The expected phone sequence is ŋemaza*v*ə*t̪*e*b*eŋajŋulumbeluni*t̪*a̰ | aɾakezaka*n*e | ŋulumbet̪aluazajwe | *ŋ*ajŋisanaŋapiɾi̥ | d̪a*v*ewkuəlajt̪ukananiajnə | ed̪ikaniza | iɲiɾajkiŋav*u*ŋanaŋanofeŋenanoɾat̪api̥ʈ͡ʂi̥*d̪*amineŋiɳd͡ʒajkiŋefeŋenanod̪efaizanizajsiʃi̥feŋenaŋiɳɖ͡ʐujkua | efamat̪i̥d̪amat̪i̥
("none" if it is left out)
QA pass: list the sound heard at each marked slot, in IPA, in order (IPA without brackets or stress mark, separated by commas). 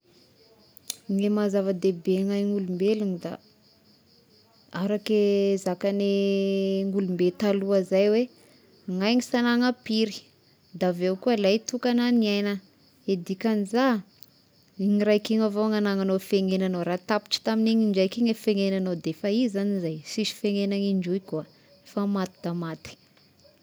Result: v, d̪, b, d̪, n, ŋ, v, o, t̪